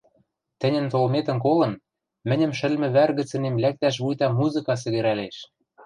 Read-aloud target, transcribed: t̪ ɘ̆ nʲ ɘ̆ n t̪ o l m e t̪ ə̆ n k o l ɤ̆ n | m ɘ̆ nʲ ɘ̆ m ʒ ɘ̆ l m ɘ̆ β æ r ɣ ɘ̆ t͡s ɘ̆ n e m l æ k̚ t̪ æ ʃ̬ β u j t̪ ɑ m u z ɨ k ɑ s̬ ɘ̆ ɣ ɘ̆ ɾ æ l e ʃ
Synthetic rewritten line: t̪ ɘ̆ nʲ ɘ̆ n t̪ o l m e t̪ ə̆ n k o l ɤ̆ n | m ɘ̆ nʲ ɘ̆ m ʃ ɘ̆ l m ɘ̆ β æ r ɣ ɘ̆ t͡s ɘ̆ n e m l æ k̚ t̪ æ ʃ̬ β u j t̪ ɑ m u z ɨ k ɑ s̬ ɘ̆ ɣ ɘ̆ ɾ æ l e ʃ